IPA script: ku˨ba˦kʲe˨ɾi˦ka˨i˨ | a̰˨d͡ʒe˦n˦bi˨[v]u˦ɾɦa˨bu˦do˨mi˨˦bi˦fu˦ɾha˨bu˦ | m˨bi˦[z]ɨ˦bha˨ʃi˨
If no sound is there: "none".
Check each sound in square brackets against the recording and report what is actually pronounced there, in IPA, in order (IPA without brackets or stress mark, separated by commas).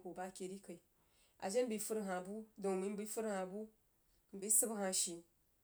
f, s